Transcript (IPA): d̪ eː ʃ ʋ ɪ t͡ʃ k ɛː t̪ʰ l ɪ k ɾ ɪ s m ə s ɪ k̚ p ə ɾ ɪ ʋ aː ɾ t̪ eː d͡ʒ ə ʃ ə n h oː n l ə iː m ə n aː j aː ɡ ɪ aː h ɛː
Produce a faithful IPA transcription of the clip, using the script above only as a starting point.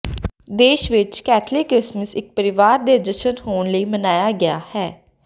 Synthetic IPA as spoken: d̪ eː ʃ ʋ ɪ t͡ʃ k ɛː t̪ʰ l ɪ k ɾ ɪ s m ə s ɪ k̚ p ə ɾ ɪ ʋ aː ɾ d̪ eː d͡ʒ ə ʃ ə n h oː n l ə iː m ə n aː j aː ɡ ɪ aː h ɛː